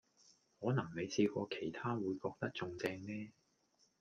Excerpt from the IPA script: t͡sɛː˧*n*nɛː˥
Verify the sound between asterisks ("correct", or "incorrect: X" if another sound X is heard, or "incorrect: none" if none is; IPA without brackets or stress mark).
incorrect: ŋ